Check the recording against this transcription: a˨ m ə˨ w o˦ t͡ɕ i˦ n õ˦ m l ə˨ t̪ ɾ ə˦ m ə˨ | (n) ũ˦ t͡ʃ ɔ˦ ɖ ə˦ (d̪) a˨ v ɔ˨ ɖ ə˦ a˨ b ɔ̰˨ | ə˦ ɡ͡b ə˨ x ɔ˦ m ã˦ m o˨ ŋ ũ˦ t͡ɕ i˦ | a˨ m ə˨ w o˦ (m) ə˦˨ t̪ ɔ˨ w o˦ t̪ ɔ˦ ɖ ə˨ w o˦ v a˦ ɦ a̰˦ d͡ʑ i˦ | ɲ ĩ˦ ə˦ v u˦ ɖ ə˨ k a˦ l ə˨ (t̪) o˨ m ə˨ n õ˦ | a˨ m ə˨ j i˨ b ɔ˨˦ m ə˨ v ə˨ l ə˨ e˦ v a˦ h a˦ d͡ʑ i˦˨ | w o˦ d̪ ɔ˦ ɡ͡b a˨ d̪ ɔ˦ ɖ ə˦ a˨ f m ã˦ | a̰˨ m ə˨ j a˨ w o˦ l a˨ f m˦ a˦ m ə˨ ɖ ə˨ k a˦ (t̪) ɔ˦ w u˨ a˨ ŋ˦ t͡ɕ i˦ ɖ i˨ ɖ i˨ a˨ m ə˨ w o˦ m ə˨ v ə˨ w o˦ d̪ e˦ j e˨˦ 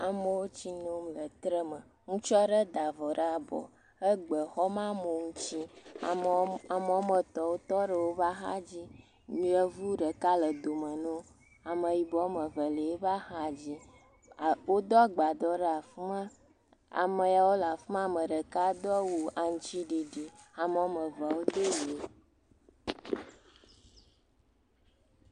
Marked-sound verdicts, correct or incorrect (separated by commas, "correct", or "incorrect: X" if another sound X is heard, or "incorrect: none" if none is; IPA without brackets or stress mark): incorrect: ŋ, correct, correct, incorrect: d̪, incorrect: d̪